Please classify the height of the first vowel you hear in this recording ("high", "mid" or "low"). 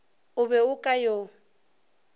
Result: high